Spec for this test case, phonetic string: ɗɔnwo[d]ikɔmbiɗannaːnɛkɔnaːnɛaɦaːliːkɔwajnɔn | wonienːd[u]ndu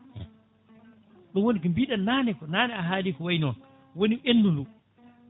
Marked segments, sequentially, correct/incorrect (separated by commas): incorrect, correct